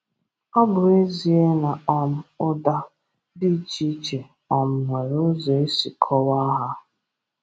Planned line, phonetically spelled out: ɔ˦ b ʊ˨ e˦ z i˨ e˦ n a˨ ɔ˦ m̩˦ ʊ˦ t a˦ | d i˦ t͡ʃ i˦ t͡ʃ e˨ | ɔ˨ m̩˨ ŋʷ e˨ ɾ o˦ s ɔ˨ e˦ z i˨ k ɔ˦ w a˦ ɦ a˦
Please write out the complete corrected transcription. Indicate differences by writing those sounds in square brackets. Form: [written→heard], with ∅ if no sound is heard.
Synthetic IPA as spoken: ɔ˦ b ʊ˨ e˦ z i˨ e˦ n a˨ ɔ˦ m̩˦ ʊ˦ [t→d] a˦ | d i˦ t͡ʃ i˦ t͡ʃ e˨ | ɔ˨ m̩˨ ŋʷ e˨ ɾ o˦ [s→z] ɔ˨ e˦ [z→s] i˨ [k→kʰ] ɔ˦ w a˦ ɦ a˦